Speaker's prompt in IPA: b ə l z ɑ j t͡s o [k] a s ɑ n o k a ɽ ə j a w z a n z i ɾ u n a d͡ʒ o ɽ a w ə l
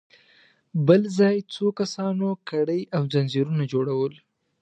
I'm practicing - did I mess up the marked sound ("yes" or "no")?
no